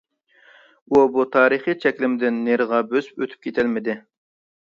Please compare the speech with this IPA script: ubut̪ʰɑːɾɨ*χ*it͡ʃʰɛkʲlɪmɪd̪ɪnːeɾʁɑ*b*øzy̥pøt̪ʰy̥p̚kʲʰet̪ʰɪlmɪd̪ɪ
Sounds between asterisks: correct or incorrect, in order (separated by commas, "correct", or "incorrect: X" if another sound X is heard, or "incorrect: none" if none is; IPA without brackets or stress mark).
correct, correct